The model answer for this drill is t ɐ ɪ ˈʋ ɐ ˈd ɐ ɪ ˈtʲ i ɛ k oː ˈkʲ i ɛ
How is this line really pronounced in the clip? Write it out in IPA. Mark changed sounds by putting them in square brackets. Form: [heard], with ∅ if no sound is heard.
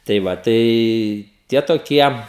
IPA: t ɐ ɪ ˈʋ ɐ [ˈt] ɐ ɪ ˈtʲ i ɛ [t] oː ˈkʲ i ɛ